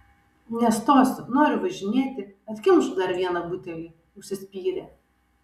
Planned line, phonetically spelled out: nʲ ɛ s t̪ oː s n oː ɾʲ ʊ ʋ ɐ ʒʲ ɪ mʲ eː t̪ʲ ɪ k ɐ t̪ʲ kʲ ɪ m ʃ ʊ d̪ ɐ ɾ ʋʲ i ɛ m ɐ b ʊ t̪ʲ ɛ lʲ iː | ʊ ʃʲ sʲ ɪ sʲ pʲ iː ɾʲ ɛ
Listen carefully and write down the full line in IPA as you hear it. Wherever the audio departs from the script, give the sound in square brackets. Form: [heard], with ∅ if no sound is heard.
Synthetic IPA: nʲ ɛ s t̪ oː s n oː ɾʲ ʊ ʋ ɐ ʒʲ ɪ [nʲ] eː t̪ʲ ɪ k ɐ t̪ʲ kʲ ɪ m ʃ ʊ d̪ ɐ ɾ ʋʲ i ɛ [n] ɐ b ʊ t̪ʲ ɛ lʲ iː | ʊ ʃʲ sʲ ɪ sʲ pʲ iː ɾʲ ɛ